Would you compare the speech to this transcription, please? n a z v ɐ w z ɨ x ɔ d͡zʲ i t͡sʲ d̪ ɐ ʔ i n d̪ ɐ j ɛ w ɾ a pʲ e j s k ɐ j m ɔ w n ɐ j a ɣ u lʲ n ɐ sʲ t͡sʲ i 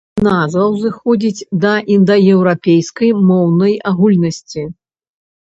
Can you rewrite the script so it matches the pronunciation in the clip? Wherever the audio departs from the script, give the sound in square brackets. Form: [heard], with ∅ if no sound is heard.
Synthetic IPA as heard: n a z v ɐ w z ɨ x ɔ d͡zʲ i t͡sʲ d̪ ɐ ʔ i n d̪ ɐ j ɛ w ɾ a pʲ e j s k ɐ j m ɔ w n ɐ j a ɣ u lʲ n ɐ sʲ t͡sʲ i